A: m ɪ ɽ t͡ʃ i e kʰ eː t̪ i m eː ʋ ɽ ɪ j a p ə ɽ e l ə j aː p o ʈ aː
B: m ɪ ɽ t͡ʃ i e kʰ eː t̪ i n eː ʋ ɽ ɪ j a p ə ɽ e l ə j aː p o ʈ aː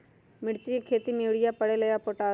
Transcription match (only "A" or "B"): A